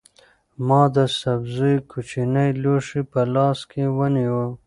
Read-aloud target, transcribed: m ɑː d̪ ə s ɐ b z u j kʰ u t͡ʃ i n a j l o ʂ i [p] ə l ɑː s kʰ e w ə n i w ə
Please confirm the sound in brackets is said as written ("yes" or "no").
yes